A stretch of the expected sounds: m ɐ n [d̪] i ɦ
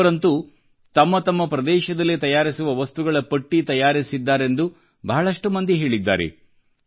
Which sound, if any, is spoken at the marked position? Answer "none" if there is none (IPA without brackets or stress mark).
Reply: d̪